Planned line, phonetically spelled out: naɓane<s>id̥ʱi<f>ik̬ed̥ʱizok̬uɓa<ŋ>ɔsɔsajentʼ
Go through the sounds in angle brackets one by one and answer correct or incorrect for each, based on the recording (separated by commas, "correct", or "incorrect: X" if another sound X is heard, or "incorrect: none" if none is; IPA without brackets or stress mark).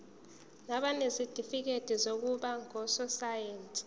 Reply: incorrect: z, correct, correct